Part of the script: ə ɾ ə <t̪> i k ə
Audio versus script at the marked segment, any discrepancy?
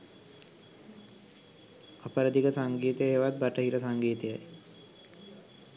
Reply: yes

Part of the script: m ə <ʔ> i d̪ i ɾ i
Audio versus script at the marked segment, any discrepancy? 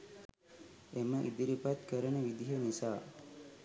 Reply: no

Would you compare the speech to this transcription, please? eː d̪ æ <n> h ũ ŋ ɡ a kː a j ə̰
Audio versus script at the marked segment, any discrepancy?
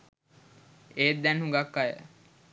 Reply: no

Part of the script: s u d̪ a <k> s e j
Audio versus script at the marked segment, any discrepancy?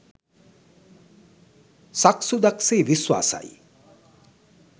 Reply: no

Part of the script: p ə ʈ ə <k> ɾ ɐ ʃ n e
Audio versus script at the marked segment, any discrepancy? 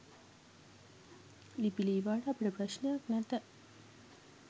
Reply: yes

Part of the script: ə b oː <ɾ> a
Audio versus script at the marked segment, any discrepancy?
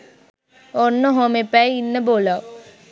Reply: yes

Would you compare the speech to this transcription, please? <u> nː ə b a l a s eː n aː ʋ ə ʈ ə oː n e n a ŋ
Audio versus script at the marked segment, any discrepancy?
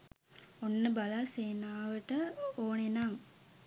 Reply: yes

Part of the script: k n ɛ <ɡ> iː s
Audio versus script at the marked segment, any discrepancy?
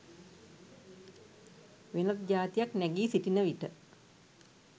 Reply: no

